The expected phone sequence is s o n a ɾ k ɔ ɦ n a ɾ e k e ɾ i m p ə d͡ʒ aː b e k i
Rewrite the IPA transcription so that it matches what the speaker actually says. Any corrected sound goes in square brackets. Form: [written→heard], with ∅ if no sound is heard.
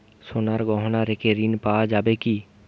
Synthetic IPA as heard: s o n a ɾ [k→ɡ] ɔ ɦ n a ɾ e k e ɾ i [m→n] p [ə→a] d͡ʒ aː b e k i